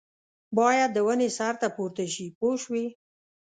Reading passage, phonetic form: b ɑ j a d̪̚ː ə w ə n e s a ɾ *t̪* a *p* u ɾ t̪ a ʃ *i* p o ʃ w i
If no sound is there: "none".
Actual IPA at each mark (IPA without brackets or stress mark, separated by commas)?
t̪, p, i